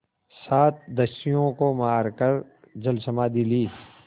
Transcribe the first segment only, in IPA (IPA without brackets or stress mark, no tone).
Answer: s